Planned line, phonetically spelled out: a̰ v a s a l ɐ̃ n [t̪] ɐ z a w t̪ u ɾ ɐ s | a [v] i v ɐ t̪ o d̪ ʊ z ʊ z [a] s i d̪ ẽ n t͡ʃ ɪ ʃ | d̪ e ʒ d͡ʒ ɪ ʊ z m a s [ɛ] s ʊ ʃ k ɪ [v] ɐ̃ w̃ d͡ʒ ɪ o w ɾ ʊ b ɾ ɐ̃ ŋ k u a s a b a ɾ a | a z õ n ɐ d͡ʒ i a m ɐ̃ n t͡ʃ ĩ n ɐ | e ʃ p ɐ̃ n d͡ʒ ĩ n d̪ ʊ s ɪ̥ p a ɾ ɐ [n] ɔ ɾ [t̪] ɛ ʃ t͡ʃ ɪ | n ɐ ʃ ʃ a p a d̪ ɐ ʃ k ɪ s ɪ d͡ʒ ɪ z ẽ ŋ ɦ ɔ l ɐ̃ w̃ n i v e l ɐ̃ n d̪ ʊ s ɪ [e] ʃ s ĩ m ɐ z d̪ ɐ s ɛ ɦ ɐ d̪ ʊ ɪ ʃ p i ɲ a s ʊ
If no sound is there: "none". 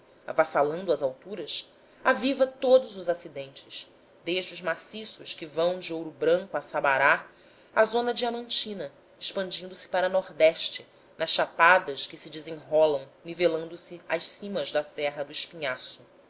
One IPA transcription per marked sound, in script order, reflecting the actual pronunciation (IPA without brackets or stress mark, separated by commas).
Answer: d̪, v, a, i, v, n, d̪, a